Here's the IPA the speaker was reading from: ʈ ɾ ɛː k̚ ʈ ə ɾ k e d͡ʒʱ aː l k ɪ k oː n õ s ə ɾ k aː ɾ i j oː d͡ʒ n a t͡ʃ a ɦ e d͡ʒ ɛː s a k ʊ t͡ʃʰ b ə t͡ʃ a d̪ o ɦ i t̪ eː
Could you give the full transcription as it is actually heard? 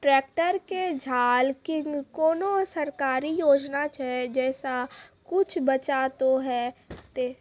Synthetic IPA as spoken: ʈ ɾ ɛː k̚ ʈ ə ɾ k e d͡ʒʱ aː l k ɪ k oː n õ s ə ɾ k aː ɾ i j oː d͡ʒ n a t͡ʃ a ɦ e d͡ʒ ɛː s a k ʊ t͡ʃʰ b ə t͡ʃ a t̪ o ɦ ɛ t̪ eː